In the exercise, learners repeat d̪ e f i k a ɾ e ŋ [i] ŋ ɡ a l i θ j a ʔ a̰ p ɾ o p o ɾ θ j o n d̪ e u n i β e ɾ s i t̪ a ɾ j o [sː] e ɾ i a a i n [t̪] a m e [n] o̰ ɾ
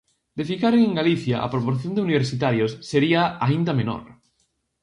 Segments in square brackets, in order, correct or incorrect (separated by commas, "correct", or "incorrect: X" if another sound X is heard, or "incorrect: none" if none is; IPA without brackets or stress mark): incorrect: e, correct, incorrect: d̪, correct